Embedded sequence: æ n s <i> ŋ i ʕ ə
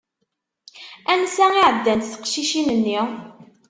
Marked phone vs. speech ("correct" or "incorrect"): incorrect